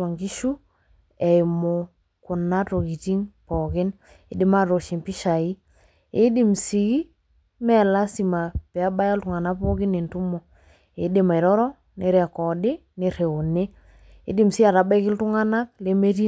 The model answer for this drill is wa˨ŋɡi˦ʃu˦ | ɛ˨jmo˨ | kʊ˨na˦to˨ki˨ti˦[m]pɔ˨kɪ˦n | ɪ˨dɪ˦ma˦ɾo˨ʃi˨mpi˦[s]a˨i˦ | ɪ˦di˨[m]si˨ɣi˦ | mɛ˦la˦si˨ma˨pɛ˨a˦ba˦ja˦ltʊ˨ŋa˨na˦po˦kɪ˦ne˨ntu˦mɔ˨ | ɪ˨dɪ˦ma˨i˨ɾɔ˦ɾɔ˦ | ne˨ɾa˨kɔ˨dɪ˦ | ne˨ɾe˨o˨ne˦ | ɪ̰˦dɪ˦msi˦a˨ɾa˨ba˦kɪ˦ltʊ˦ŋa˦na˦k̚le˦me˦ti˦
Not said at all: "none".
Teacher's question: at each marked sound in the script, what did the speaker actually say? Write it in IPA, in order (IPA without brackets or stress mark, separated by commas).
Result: ŋ, ʃ, m